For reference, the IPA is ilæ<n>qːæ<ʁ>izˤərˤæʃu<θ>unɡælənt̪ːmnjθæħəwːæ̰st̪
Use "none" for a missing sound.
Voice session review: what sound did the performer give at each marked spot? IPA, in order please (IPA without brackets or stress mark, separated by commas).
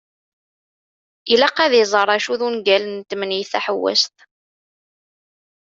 none, ð, ð